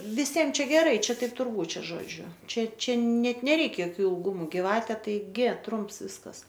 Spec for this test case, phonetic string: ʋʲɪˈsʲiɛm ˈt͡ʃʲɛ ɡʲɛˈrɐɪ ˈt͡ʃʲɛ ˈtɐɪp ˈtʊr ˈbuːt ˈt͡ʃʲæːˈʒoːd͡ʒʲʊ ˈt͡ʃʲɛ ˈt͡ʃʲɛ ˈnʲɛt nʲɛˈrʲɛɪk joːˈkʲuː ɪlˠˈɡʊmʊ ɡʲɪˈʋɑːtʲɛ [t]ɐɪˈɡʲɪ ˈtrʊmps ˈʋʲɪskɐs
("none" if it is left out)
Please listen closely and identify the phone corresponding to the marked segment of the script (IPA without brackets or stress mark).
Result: t